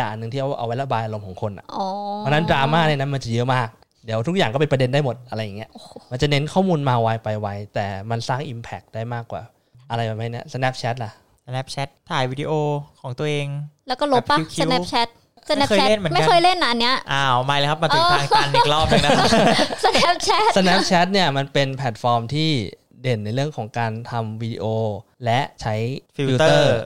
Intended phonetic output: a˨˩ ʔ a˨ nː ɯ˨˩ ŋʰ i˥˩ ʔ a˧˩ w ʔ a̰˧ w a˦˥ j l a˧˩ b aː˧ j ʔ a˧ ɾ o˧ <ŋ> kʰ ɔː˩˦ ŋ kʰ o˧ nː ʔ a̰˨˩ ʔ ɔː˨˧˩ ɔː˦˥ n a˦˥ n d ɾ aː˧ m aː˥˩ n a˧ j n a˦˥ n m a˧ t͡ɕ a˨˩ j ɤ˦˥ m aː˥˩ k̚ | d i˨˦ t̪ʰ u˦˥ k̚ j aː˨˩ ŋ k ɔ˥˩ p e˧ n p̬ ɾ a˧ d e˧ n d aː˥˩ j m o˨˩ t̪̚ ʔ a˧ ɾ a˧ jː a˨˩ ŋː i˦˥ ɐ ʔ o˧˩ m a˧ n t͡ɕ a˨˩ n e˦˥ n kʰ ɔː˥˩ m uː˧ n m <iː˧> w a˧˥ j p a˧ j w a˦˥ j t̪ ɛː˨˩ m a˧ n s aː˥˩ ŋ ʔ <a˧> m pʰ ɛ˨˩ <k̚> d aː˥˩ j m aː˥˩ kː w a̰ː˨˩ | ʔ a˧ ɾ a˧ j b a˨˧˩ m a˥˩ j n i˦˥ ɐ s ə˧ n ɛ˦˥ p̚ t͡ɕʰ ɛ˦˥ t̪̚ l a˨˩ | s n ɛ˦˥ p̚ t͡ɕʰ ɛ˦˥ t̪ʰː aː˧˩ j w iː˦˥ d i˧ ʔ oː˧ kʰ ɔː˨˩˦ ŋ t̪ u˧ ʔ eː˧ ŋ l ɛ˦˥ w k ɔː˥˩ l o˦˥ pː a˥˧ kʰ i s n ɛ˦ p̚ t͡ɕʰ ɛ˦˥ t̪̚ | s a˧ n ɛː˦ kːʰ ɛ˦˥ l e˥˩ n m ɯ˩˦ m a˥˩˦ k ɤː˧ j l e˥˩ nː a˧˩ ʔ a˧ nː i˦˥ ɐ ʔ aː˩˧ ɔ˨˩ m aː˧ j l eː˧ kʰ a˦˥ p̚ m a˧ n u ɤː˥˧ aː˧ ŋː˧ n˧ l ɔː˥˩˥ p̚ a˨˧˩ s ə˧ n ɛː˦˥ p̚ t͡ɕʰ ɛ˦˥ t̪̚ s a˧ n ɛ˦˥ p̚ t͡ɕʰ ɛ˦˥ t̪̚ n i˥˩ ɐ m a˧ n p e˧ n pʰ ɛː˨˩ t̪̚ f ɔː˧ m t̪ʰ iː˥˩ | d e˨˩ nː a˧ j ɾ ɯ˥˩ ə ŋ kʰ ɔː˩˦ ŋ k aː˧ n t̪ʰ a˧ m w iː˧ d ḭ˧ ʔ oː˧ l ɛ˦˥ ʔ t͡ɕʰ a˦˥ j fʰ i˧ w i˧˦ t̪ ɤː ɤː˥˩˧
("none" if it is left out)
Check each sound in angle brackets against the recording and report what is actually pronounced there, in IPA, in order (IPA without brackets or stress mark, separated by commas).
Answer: m, aː˧, i˧, k̚